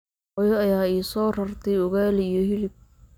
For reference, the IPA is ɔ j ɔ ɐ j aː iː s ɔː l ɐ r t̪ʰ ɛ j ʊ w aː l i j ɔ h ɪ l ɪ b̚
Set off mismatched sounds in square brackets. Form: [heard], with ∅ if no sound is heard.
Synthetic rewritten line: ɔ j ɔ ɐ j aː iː s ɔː [r] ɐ r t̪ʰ ɛ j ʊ [ɣ] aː l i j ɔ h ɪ l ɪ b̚